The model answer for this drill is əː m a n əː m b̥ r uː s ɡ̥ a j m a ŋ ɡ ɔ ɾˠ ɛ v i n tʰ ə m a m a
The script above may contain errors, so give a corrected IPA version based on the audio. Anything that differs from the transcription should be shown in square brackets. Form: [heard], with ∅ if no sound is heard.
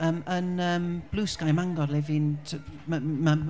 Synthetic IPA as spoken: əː m [ə] n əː m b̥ [l] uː s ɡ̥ a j m a ŋ ɡ ɔ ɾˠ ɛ v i n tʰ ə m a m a